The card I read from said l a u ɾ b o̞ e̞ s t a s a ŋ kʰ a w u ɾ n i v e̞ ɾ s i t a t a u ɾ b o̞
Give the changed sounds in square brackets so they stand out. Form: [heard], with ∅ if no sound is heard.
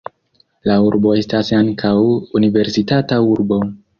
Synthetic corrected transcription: l a u ɾ b o̞ e̞ s t a s a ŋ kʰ a w u [∅] n i v e̞ ɾ s i t a t a u ɾ b o̞

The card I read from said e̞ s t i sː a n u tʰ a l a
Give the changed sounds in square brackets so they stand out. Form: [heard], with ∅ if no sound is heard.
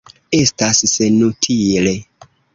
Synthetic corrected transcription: e̞ s t [a] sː [e] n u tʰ [i] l [e]

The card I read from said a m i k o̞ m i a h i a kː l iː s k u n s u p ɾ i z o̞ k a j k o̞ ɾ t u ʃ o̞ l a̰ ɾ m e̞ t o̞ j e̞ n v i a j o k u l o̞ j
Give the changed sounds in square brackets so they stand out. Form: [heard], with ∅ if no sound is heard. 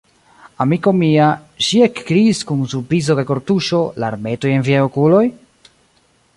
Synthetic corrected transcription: a m i k o̞ m i a [ʃ] i [e] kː [ɾ] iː s k u n s u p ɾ i z o̞ k a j k o̞ ɾ t u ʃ o̞ l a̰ ɾ m e̞ t o̞ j e̞ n v i a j o k u l o̞ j

